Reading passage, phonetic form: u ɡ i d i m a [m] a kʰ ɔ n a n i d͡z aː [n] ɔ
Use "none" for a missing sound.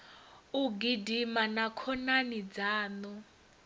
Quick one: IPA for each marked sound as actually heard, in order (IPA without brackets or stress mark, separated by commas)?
n, n